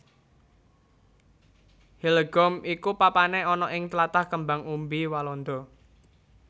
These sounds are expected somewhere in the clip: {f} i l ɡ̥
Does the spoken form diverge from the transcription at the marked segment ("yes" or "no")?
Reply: yes